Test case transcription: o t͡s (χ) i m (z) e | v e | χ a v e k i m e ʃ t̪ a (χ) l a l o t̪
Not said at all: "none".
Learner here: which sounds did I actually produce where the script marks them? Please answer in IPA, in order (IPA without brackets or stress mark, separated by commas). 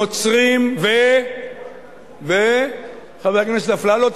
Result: ʁ, v, f